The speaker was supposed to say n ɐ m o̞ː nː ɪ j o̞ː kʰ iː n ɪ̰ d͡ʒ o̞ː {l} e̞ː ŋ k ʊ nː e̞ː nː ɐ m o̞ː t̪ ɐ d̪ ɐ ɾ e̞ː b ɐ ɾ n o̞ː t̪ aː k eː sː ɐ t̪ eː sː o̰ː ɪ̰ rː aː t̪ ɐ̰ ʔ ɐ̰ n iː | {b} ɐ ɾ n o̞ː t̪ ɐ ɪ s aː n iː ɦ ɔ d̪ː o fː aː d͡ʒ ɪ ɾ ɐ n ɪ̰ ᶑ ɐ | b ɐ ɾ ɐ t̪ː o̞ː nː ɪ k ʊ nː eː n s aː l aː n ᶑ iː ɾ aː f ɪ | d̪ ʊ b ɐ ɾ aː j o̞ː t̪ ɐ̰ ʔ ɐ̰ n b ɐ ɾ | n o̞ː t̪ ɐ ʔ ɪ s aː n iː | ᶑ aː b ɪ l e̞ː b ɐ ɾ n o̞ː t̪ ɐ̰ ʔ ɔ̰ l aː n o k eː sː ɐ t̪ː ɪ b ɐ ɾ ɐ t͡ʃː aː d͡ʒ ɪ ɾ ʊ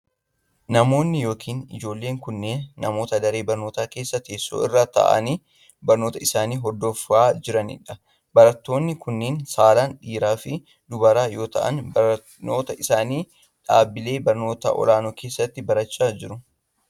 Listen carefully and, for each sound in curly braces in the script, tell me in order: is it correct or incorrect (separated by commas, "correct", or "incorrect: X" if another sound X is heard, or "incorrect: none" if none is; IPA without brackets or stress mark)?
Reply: incorrect: lː, correct